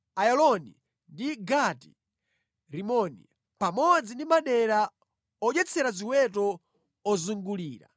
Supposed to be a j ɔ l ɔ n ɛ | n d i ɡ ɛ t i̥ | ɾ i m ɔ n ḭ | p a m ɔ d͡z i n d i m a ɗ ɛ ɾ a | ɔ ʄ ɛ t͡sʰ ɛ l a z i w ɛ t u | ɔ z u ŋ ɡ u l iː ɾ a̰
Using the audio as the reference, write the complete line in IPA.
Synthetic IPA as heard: a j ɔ l ɔ n i | n d i ɡ a t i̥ | ɾ i m ɔ n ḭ | p a m ɔ d͡z i n d i m a ɗ ɛ ɾ a | ɔ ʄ ɛ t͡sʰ ɛ ɾ a z i w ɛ t ɔ | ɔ z u ŋ ɡ u l iː ɾ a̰